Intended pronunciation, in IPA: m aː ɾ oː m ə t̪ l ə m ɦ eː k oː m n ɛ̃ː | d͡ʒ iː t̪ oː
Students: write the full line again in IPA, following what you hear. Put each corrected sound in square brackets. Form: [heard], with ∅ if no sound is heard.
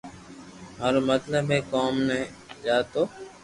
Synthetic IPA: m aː ɾ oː m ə t̪ l ə [b] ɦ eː k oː m n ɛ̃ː | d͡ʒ [aː] t̪ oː